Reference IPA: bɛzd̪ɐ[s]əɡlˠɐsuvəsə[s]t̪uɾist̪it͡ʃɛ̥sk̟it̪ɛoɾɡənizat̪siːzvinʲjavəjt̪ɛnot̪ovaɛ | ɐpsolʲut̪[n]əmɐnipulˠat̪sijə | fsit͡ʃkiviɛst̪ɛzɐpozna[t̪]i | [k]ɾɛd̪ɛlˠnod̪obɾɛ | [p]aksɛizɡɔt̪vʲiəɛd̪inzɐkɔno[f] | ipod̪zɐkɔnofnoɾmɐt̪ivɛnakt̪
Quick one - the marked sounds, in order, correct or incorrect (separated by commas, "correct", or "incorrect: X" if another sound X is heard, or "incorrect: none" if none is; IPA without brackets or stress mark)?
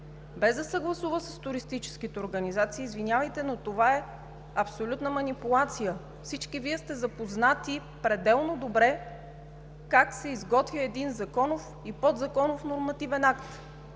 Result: correct, correct, correct, correct, incorrect: p, incorrect: k, correct